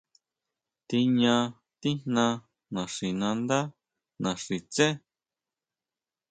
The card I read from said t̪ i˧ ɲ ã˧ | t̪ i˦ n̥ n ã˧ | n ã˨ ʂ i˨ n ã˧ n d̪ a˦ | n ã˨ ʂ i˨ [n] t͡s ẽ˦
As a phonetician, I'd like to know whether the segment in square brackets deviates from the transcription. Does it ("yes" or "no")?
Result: yes